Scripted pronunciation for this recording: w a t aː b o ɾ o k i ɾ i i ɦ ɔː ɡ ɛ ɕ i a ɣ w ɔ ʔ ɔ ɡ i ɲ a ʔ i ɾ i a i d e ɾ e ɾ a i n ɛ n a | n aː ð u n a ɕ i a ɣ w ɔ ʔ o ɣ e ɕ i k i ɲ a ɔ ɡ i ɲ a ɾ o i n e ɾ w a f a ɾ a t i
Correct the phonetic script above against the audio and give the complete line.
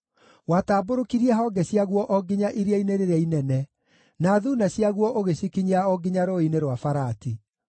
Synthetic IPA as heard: w a t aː b o ɾ o k i ɾ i ɛ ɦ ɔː ɡ ɛ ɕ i a ɣ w ɔ ʔ ɔ ɡ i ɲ a ʔ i ɾ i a i n e ɾ e ɾ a i n ɛ n ɛ | n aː ð u n a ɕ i a ɣ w ɔ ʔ o ɣ e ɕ i k i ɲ a ɔ ɡ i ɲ a ɾ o i n e ɾ w a f a ɾ a t i

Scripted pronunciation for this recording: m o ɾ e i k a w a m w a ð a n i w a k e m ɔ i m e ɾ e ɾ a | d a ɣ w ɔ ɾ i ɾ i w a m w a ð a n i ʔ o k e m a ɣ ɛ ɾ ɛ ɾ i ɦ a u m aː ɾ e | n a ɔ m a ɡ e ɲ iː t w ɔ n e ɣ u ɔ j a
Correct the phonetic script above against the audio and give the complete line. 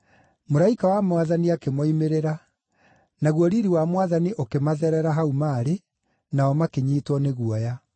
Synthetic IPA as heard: m o ɾ a i k a w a m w a ð a n i a k e m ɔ i m e ɾ e ɾ a | n a ɣ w ɔ ɾ i ɾ i w a m w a ð a n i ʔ o k e m a ð ɛ ɾ ɛ ɾ a ɦ a u m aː ɾ e | n a ɔ m a k e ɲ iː t w ɔ n e ɣ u ɔ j a

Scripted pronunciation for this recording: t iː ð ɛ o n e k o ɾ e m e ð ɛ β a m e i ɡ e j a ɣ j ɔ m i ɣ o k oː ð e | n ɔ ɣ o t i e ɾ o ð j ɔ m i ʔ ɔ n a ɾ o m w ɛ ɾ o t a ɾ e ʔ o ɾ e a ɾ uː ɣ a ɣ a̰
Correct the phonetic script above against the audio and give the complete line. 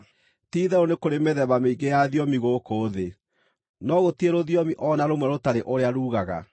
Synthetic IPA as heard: t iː ð ɛ o n e k o ɾ e m e ð ɛ β a m e i ɡ e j a ð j ɔ m i ɣ o k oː ð e | n ɔ ɣ o t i e ɾ o ð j ɔ m i ʔ ɔ n a ɾ o m w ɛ ɾ o t a ɾ e ʔ o ɾ e a ɾ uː ɣ a ɣ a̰

